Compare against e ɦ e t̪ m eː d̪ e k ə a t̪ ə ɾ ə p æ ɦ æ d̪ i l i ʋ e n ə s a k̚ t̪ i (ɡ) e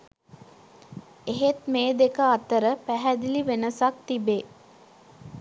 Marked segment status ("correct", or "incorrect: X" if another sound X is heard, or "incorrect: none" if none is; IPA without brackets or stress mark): incorrect: b